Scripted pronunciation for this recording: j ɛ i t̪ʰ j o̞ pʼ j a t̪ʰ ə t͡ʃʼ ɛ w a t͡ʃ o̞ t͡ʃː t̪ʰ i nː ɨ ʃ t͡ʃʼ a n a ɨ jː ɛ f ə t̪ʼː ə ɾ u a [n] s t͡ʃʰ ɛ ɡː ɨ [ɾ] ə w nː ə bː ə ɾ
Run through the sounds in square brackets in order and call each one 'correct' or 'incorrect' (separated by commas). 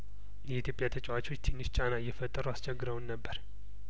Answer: incorrect, correct